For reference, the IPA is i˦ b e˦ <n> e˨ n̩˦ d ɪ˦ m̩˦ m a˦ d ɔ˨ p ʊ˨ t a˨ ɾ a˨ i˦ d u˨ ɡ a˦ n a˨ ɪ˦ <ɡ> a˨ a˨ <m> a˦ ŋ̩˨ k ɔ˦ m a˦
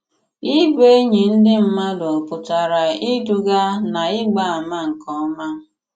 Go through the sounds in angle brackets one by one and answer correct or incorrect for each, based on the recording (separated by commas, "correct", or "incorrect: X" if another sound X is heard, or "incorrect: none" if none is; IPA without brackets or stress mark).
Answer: incorrect: ɲ, incorrect: ɡ͡b, correct